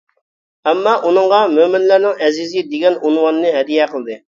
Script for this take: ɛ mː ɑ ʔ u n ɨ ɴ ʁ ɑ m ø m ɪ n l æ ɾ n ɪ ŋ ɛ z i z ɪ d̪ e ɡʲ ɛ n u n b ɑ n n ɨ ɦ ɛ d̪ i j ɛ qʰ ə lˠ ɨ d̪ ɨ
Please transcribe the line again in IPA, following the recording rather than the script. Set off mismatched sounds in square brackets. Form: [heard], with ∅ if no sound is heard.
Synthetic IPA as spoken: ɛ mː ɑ ʔ u n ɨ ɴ ʁ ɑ m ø m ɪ n l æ ɾ n ɪ ŋ ɛ z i z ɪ d̪ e ɡʲ ɛ n u n [w] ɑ n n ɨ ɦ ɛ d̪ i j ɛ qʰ ə lˠ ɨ d̪ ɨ